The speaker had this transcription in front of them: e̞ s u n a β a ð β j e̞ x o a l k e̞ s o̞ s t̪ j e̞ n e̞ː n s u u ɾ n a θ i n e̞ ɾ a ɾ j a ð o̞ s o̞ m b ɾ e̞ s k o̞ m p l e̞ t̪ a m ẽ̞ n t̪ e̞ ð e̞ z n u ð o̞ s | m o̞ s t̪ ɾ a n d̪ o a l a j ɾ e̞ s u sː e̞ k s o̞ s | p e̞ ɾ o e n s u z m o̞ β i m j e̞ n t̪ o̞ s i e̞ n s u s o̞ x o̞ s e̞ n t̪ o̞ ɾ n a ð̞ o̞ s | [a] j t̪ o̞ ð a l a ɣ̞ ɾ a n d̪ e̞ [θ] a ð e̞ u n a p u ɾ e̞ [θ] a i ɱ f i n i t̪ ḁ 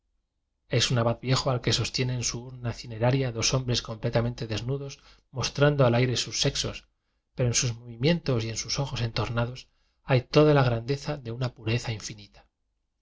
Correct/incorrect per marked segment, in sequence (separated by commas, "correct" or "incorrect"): correct, correct, correct